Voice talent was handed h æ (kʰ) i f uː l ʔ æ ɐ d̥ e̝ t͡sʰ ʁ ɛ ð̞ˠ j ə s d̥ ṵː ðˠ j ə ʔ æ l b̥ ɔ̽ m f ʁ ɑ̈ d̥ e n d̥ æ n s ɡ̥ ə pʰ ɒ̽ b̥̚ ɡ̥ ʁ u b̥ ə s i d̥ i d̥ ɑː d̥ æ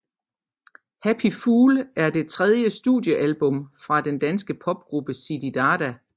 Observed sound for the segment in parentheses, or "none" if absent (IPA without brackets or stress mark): pʰ